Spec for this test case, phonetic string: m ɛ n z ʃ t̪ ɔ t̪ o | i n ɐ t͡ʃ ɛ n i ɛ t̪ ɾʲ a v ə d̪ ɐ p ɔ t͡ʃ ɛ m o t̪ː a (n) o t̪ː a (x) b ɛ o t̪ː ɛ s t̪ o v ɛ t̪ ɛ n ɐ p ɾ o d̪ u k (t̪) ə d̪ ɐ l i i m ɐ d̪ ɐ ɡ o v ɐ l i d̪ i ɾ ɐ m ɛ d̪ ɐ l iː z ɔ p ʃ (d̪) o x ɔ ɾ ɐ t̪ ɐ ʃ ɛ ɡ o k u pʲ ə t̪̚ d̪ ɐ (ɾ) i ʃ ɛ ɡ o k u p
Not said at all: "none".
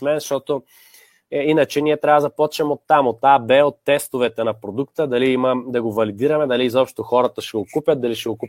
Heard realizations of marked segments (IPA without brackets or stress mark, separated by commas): m, none, t̪, t̪, l